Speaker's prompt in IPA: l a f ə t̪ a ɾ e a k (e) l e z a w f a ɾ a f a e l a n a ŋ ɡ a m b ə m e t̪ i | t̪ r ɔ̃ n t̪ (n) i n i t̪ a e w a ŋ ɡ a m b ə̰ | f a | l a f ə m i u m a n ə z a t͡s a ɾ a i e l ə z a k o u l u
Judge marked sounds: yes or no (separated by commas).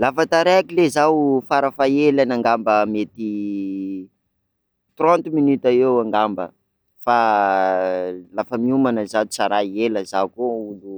no, no